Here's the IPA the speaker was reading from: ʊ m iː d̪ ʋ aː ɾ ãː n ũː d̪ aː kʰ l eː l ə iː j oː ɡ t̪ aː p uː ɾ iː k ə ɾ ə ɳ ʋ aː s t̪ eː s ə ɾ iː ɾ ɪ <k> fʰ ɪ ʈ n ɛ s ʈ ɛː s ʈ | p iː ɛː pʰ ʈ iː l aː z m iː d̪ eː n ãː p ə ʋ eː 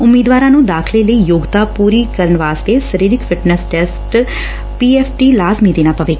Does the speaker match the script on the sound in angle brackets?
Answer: yes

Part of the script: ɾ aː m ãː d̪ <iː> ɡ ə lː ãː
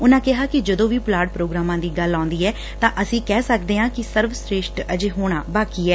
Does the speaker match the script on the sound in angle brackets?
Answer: yes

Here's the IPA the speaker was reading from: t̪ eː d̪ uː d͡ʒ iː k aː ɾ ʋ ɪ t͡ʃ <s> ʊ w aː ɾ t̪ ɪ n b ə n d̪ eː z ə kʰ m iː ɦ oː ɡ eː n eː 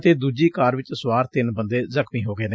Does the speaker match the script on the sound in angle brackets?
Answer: yes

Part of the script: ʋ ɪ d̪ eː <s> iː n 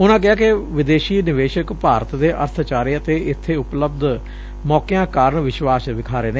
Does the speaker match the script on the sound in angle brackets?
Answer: no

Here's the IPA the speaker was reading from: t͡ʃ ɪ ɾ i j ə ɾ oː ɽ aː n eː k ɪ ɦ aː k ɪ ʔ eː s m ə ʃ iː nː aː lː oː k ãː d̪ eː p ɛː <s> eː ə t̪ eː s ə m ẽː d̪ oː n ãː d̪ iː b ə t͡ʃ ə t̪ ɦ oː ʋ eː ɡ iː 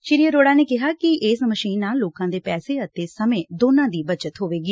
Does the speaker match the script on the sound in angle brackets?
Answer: yes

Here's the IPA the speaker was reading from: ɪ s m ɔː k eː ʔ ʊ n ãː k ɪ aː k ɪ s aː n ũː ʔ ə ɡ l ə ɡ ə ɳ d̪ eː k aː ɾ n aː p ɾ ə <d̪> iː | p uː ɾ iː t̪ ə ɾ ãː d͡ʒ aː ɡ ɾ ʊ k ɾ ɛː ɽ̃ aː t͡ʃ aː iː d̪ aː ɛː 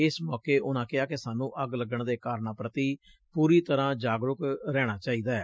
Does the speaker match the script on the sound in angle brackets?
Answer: no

